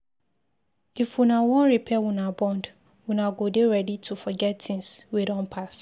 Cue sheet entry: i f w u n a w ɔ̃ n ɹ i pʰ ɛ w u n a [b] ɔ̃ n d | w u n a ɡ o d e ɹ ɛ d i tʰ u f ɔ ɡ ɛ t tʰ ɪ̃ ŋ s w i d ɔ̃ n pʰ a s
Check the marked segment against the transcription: correct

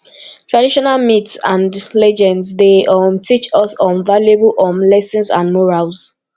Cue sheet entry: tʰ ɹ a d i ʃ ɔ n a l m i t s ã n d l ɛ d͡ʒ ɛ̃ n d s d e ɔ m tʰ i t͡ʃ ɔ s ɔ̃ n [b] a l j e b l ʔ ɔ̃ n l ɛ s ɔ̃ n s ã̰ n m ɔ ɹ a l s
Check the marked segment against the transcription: incorrect: v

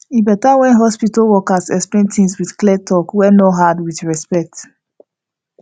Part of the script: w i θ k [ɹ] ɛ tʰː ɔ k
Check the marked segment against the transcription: incorrect: l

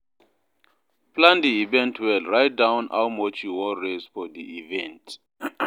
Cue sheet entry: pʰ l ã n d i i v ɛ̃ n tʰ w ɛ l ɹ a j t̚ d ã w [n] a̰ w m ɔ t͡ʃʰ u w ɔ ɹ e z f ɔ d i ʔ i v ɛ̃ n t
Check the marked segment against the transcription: correct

